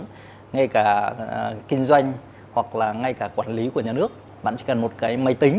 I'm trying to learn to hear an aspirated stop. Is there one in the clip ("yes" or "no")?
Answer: no